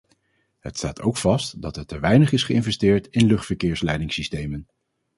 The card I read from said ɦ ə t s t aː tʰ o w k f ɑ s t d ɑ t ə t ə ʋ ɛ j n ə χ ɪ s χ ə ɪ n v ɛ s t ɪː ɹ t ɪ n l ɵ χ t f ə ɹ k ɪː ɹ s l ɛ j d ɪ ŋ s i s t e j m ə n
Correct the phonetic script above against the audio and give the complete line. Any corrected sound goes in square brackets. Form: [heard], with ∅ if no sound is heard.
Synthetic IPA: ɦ ə t s t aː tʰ o w k f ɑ s t d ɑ t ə t ə ʋ ɛ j n ə χ ɪ s χ ə ɪ n v ɛ s t ɪː ɹ t ɪ n l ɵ χ t f ə ɹ k ɪː ɹ s l ɛ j d ɪ ŋ s i s t e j m ə n